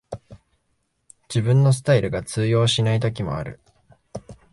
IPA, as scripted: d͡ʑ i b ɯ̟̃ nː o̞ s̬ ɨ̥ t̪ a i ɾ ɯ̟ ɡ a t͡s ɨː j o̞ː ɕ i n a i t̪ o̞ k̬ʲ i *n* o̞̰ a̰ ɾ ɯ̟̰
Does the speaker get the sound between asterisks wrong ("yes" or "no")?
yes